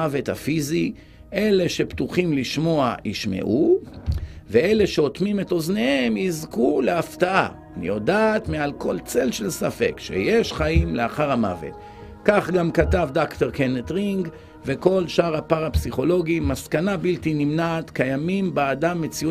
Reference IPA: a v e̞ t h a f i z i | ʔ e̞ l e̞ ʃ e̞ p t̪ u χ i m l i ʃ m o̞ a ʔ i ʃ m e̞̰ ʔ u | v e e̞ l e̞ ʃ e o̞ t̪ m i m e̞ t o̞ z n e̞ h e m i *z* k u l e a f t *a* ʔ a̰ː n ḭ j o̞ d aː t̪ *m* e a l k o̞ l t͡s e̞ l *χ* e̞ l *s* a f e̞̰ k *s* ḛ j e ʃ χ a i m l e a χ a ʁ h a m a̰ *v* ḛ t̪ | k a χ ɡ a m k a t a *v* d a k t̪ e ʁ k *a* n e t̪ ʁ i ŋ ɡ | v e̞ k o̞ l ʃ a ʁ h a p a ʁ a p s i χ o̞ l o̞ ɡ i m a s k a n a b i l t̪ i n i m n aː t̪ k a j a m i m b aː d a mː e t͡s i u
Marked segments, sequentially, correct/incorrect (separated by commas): correct, correct, correct, incorrect, correct, incorrect, correct, correct, incorrect